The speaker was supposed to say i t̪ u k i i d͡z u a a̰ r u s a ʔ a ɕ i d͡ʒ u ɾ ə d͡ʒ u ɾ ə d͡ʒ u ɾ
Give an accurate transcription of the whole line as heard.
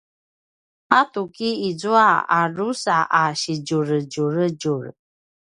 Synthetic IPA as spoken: a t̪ u k i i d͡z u a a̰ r u s a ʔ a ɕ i d͡ʒ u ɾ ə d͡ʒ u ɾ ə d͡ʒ u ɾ

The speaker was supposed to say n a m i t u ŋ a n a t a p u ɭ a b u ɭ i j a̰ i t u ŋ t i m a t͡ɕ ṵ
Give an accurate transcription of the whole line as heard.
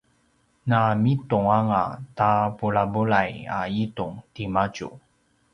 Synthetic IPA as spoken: n a m i t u ŋ a ŋ a t a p u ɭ a b u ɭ a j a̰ i t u ŋ t i m a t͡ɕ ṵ

